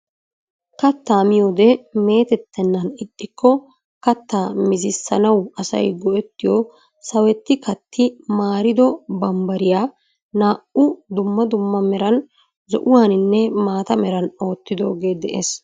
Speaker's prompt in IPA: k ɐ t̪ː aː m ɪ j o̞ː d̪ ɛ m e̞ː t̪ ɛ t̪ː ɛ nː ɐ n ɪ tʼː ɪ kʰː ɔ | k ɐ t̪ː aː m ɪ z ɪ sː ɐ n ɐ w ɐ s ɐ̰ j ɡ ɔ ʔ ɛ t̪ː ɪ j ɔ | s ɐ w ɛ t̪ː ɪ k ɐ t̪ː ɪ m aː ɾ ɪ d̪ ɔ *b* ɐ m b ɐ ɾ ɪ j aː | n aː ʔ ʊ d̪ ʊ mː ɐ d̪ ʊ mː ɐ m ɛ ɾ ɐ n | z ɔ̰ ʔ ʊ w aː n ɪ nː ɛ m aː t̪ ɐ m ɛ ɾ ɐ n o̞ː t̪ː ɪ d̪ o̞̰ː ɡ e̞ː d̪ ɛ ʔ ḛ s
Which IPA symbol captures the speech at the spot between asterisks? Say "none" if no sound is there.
b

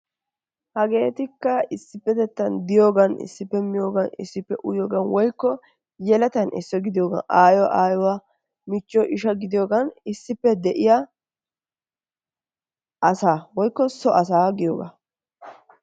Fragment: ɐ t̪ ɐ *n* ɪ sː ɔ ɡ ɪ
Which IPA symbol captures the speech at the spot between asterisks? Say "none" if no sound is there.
n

